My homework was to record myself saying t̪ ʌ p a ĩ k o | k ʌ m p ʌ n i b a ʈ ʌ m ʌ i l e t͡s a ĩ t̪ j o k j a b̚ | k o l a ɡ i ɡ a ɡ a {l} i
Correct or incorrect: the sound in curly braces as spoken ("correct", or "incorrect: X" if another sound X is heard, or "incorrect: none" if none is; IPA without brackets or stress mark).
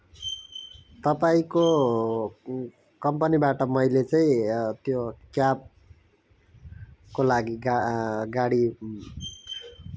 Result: incorrect: ɽ